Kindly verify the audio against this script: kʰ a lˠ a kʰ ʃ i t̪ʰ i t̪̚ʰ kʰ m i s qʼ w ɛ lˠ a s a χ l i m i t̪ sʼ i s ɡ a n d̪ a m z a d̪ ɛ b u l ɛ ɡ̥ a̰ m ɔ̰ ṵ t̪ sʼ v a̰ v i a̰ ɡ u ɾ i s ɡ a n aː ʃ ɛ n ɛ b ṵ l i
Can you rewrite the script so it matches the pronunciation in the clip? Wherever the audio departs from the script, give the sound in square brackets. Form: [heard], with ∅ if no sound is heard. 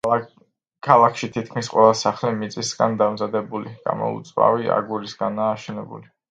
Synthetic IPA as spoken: kʰ a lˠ a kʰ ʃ i t̪ʰ i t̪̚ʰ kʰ m i s qʼ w ɛ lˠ a s a χ l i m i t̪ sʼ i s ɡ a n d̪ a m z a d̪ ɛ b u l [i] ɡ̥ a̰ m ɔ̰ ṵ t̪ sʼ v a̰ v i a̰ ɡ u ɾ i s ɡ a n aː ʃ ɛ n ɛ b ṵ l i